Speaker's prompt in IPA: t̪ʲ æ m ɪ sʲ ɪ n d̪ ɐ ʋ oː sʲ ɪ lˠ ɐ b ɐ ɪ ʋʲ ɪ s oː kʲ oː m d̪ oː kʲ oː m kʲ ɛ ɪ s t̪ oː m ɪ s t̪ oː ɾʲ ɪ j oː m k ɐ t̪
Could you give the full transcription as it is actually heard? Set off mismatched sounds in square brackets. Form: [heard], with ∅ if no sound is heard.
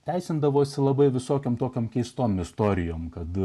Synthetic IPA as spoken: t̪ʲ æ [∅] ɪ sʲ ɪ n d̪ ɐ ʋ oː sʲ ɪ lˠ ɐ b ɐ ɪ ʋʲ ɪ s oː kʲ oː m [t̪] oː kʲ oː m kʲ ɛ ɪ s t̪ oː m ɪ s t̪ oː ɾʲ ɪ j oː m k ɐ t̪